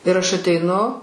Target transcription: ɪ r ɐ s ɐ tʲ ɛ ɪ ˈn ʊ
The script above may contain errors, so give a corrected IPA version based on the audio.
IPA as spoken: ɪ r ɐ ʃ ɐ tʲ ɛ ɪ ˈn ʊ

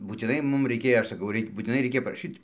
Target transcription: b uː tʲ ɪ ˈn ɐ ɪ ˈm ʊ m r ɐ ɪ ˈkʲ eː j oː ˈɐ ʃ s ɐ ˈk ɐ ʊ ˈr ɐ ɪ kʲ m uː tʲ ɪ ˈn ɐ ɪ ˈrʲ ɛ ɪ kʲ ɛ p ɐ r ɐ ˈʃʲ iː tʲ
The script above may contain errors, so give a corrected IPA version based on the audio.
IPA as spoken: b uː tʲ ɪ ˈn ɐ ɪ ˈm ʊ m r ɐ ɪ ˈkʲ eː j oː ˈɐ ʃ s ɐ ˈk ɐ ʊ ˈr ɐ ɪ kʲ b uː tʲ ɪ ˈn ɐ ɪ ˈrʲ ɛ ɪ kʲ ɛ p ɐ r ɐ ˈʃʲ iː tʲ

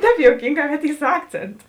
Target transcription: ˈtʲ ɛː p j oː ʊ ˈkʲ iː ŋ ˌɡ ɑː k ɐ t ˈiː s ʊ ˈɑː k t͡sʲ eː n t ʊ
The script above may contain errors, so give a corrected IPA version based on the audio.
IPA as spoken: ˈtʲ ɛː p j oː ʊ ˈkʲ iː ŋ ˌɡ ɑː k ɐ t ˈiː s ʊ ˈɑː k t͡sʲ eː n t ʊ

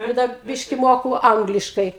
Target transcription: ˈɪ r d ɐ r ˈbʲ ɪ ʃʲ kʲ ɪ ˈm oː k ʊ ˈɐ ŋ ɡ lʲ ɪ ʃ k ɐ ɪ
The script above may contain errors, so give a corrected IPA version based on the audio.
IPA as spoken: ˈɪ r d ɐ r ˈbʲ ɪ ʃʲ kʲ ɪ ˈm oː k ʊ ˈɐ ŋ ɡ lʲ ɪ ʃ k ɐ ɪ

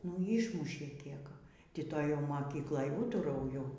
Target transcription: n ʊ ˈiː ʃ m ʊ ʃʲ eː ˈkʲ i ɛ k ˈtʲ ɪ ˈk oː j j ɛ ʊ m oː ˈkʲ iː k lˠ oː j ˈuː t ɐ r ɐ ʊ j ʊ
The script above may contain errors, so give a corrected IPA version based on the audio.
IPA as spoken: n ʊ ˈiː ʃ m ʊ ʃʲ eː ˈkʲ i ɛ k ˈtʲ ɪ ˈt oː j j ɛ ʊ m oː ˈkʲ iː k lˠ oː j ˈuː t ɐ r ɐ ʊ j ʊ

